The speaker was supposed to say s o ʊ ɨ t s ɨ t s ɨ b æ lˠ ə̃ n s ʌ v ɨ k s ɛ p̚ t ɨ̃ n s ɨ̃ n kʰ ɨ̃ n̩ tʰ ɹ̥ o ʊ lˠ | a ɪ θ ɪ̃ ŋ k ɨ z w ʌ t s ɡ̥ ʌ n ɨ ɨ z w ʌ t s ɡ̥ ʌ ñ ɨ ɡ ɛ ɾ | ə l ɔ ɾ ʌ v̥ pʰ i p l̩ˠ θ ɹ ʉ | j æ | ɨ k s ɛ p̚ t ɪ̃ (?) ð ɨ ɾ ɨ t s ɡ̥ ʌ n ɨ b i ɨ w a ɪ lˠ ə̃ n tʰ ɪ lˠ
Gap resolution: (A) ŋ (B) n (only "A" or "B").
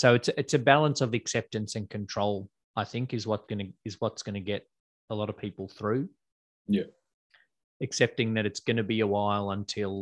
A